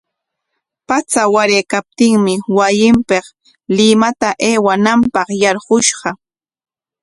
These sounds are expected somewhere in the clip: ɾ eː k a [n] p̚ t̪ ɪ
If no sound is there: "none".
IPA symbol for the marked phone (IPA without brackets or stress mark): none